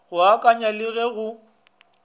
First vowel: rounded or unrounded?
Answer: rounded